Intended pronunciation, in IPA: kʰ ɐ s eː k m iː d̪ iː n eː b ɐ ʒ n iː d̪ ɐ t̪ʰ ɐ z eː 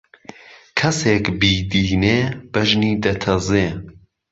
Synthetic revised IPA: kʰ ɐ s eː k b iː d̪ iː n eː b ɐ ʒ n iː d̪ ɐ t̪ʰ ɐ z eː